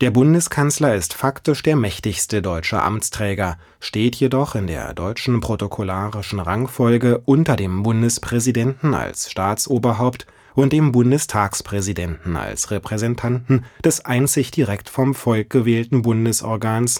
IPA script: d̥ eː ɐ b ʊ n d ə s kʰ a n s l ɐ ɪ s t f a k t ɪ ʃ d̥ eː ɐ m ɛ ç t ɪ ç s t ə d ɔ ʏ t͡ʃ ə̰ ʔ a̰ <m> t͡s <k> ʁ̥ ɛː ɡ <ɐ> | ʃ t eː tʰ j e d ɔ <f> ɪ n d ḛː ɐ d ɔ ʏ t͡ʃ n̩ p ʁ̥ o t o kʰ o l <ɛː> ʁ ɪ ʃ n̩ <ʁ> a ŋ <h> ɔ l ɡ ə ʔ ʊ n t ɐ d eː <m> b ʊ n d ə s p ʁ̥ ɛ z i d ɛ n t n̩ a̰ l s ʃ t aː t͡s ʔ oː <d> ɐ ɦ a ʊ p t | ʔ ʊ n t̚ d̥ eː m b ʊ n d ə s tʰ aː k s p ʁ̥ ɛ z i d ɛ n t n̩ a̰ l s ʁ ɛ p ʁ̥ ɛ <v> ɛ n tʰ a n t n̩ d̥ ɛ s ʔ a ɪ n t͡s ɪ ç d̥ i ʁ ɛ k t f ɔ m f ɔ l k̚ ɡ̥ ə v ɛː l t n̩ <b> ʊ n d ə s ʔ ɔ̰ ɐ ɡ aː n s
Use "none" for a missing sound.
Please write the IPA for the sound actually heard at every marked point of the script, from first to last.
m, t, ɐ, χ, aː, ʁ, f, m, b, z, b

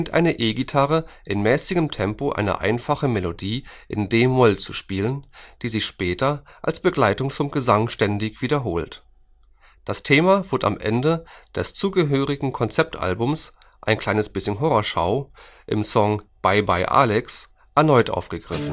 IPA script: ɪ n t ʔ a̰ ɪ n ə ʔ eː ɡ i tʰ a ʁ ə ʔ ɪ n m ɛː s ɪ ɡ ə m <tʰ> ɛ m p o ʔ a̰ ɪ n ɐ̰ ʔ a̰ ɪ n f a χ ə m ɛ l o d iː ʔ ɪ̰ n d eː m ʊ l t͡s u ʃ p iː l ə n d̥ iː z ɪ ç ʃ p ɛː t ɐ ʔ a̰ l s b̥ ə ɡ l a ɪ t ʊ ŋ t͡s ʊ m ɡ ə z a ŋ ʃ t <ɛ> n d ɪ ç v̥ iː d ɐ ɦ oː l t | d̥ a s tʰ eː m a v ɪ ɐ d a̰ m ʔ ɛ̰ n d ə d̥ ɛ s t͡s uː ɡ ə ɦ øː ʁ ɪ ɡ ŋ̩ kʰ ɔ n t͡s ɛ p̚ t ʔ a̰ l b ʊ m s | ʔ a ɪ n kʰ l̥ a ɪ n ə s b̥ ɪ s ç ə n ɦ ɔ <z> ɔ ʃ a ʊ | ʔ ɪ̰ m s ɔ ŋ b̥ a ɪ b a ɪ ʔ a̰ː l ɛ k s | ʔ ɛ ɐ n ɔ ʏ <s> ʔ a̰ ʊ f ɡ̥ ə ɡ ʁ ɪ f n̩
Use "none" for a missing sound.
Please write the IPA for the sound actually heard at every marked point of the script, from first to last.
tʰ, ɛ, ʁ, t

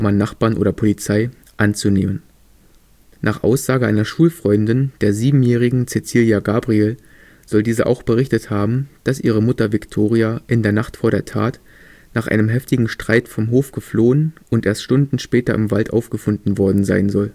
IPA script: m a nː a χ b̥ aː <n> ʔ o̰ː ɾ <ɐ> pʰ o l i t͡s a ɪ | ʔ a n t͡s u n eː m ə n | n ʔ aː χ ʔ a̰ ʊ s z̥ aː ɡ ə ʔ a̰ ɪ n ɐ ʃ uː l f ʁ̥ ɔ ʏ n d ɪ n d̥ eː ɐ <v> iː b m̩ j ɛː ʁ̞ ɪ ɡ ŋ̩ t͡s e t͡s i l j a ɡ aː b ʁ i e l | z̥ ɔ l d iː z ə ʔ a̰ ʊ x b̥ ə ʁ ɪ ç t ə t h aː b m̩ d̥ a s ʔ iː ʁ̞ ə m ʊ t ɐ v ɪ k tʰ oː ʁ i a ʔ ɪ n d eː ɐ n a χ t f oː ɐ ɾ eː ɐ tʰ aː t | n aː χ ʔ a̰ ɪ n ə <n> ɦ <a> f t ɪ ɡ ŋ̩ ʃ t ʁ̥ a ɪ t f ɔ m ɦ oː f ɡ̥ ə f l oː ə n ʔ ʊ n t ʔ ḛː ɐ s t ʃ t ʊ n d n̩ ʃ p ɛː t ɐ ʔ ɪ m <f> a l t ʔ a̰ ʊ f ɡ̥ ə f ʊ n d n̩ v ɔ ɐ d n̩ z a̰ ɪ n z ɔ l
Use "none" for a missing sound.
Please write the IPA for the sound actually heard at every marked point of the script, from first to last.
n, ɐ, z, m, ɛ, v

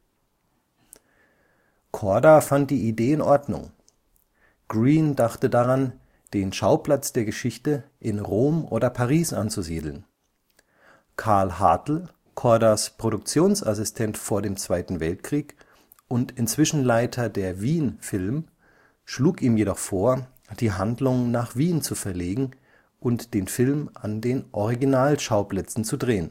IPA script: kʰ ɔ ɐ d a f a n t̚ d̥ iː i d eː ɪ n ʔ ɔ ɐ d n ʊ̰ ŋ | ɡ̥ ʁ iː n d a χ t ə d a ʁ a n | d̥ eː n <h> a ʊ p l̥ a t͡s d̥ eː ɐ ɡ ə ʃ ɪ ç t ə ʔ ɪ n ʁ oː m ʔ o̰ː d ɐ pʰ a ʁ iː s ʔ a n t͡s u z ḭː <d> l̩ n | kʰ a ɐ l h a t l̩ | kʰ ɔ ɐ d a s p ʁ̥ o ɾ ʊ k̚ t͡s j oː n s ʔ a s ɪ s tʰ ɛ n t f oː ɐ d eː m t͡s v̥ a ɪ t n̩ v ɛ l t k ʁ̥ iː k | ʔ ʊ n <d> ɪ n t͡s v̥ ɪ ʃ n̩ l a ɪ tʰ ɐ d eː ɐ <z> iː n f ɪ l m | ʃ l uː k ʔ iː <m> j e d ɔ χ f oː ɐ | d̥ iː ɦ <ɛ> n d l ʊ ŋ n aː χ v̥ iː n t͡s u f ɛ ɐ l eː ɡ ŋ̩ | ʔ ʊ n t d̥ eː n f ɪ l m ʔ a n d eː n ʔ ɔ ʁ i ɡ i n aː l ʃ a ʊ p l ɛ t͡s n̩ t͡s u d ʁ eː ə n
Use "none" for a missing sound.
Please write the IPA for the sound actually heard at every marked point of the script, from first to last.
ʃ, d, t, v, m, a

